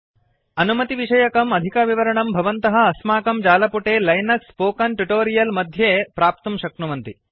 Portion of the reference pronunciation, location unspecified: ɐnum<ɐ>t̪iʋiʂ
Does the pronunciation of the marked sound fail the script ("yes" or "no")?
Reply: no